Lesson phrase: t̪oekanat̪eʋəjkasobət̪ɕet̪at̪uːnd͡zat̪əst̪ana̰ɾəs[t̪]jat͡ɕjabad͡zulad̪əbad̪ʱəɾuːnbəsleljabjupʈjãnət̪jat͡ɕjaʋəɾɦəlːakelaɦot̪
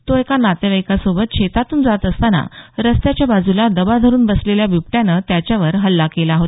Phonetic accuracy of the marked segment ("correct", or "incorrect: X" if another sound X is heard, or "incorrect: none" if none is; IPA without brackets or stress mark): correct